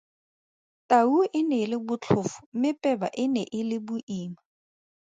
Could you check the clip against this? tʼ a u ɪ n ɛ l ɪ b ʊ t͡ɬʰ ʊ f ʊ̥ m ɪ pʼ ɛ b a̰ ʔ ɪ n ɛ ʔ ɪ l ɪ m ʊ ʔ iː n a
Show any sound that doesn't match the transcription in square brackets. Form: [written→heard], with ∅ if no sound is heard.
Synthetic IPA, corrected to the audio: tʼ a u ɪ n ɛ l ɪ b ʊ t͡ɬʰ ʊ f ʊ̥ m ɪ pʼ ɛ b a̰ ʔ ɪ n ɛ ʔ ɪ l ɪ [m→b] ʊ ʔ iː [n→m] a